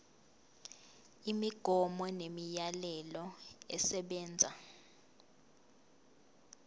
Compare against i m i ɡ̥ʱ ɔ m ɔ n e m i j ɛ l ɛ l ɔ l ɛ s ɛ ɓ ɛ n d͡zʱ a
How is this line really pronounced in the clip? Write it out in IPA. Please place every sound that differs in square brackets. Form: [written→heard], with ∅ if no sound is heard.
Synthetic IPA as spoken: i m i ɡ̥ʱ ɔ m ɔ n e m i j [ɛ→a] l ɛ l ɔ [l→∅] ɛ s ɛ ɓ [ɛ→ɛː] n d͡zʱ a